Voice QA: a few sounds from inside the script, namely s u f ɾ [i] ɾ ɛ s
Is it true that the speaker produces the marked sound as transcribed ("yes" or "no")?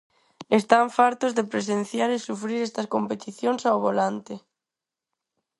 yes